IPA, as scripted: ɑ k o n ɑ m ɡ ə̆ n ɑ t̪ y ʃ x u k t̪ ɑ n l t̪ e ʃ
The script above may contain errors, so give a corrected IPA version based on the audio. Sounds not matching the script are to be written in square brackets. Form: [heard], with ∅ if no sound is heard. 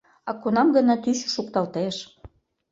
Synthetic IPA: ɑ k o n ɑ m ɡ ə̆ n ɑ t̪ y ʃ [ʃ] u k t̪ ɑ [∅] l t̪ e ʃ